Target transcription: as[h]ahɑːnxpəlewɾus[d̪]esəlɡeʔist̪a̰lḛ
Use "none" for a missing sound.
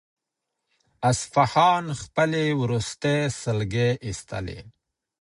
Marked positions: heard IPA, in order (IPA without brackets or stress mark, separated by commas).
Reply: f, t̪